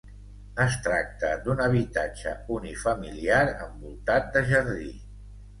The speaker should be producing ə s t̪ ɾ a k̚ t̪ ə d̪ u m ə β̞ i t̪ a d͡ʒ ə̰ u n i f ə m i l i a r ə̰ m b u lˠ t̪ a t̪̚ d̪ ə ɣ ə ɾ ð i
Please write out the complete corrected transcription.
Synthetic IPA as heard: ə s t̪ ɾ a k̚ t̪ ə d̪ u n ə β̞ i t̪ a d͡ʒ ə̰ u n i f ə m i l i a ɾ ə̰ m b u lˠ t̪ a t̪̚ d̪ ə ʒ ə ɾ ð i